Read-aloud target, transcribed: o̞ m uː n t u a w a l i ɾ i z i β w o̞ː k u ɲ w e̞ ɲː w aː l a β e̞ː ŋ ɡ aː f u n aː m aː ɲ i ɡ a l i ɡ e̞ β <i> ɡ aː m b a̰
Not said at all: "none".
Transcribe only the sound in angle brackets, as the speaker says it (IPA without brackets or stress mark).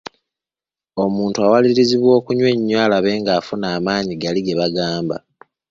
a